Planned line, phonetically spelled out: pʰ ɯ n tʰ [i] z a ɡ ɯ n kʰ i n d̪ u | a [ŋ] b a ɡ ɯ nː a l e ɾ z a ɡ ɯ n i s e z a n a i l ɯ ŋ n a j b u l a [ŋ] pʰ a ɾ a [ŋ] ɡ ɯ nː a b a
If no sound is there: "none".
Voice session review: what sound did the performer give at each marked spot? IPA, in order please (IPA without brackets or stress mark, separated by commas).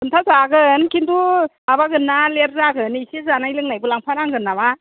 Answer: a, none, ŋ, ŋ